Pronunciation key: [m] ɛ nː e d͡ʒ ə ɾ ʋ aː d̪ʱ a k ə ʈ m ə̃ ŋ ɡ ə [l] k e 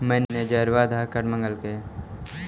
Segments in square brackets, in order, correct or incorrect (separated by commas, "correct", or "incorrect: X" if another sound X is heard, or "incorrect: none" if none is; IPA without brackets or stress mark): correct, correct